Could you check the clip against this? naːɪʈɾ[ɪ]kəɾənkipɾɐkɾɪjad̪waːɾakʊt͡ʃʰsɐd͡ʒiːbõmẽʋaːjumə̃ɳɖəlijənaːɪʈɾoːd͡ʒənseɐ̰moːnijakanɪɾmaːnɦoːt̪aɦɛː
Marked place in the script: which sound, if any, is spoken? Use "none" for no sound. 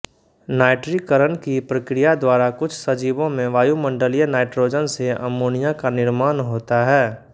i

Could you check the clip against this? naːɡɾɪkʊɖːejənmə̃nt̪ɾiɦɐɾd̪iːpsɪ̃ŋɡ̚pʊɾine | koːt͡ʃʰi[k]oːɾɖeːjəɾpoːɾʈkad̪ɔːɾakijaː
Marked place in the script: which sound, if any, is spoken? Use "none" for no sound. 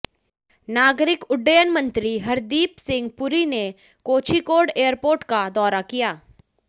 k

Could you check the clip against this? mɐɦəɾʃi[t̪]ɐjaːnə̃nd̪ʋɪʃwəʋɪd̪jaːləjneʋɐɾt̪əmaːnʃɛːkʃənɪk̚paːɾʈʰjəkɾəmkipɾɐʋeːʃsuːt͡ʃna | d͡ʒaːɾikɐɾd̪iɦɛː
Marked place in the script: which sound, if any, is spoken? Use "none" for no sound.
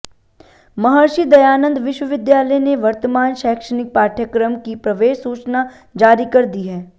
d̪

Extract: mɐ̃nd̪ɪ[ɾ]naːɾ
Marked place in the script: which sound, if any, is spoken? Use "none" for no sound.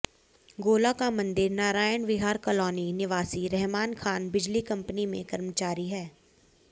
ɾ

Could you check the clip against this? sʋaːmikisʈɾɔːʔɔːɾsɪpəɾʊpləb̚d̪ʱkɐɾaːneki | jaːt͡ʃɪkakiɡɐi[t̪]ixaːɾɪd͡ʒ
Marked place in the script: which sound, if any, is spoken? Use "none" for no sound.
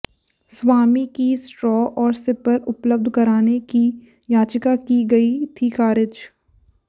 t̪ʰ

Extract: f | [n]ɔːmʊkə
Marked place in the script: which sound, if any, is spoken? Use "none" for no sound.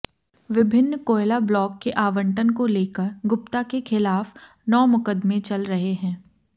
n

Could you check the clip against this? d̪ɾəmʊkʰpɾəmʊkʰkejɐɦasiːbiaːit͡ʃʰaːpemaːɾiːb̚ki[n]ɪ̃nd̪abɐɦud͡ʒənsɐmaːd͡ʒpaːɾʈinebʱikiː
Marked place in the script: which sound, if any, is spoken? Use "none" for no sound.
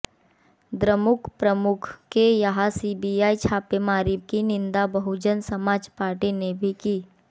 n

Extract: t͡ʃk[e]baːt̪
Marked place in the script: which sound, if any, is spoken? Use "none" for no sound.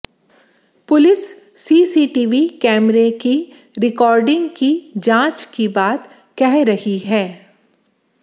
i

